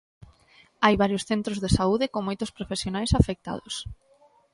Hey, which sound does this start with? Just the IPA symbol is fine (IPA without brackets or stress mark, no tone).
a